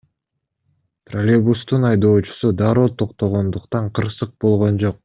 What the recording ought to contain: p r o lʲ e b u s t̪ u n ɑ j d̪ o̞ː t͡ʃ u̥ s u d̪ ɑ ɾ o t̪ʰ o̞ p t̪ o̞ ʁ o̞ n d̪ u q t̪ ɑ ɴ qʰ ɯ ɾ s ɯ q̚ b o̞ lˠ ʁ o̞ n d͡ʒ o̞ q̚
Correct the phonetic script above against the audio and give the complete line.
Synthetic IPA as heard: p r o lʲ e b u s t̪ u n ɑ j d̪ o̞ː t͡ʃ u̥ s u d̪ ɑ ɾ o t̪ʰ o̞ q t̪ o̞ ʁ o̞ n d̪ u q t̪ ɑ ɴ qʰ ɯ ɾ s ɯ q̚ b o̞ lˠ ʁ o̞ n d͡ʒ o̞ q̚